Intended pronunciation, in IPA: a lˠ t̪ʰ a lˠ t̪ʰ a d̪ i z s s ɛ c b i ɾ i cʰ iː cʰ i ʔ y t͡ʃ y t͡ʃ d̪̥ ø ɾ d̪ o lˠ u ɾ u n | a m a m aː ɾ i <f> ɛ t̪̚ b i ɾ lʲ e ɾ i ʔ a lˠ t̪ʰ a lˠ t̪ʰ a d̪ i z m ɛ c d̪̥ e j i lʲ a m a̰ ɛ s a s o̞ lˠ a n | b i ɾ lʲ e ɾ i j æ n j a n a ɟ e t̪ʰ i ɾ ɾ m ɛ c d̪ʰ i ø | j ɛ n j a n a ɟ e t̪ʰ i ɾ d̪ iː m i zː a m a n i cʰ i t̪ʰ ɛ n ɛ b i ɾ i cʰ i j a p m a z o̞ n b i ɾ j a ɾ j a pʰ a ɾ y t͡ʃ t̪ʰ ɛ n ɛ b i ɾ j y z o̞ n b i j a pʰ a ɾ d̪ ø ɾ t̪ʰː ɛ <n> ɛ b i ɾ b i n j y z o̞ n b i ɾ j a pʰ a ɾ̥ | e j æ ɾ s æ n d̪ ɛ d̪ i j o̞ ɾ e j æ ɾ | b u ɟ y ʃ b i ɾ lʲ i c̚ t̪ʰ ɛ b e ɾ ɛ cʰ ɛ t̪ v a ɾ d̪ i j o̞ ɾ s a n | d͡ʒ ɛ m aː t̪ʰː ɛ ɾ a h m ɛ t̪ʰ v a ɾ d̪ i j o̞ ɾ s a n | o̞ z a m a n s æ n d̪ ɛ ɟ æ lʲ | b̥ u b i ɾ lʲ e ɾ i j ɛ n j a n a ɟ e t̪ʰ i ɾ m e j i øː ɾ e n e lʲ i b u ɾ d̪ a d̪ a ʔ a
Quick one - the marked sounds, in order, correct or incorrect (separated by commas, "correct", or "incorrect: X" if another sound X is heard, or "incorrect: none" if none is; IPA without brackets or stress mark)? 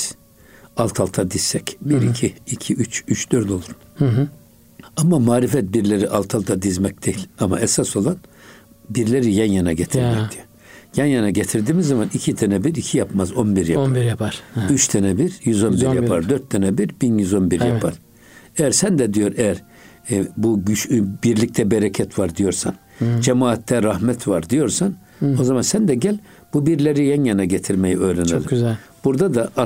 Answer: correct, correct